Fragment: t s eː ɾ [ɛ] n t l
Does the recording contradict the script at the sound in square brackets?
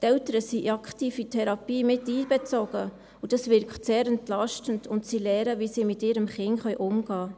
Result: no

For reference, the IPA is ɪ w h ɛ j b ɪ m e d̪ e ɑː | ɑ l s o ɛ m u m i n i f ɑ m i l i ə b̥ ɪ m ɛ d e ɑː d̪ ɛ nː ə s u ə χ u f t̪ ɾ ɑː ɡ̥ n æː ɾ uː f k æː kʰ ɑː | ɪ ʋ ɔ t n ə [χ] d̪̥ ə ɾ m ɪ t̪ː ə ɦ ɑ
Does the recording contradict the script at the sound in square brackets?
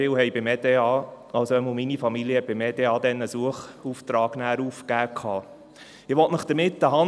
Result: no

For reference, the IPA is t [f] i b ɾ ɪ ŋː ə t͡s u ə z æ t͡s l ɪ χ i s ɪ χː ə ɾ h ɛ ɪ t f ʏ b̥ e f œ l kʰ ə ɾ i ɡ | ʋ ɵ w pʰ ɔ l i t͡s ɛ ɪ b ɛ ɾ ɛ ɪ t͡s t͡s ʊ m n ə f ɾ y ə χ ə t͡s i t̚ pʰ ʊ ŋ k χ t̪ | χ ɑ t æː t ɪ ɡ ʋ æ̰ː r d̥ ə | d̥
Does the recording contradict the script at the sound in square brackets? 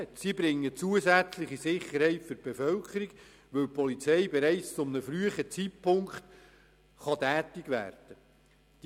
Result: yes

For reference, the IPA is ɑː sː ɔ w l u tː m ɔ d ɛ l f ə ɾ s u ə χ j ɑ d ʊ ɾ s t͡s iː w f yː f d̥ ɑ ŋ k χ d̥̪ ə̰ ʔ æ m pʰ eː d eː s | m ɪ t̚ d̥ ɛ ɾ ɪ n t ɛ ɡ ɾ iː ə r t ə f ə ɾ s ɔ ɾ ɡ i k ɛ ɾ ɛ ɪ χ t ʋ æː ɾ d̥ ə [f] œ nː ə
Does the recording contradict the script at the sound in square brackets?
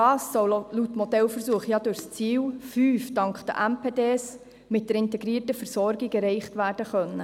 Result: yes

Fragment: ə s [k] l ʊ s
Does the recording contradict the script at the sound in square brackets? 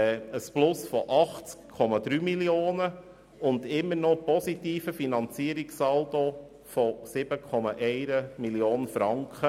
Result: yes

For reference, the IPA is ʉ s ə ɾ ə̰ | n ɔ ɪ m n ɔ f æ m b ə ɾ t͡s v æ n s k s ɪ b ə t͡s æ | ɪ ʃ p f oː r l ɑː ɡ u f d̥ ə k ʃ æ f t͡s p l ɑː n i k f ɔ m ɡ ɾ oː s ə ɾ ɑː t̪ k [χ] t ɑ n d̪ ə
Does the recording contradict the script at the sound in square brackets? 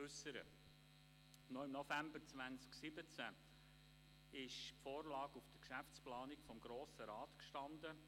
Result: yes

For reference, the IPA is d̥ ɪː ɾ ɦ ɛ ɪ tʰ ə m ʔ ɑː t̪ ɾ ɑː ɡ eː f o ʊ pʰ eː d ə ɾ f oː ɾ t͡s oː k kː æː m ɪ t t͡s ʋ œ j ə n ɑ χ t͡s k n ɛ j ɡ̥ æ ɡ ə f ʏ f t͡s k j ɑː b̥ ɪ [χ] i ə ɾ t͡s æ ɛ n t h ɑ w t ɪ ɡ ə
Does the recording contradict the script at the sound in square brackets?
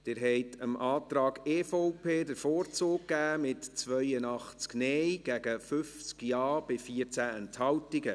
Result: yes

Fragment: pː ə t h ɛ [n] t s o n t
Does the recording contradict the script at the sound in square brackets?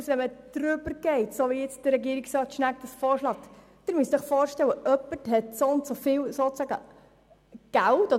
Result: yes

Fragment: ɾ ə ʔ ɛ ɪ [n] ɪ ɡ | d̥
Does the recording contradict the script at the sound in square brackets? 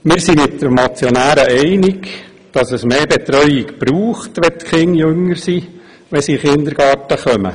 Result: no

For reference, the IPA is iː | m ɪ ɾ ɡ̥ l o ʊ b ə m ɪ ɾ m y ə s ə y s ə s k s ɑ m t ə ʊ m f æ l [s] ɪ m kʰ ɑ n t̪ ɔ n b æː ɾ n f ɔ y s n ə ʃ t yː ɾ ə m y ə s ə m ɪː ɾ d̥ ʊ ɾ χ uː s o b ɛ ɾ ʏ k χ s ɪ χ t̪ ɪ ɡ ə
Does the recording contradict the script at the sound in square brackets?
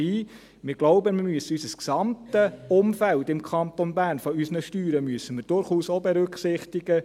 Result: yes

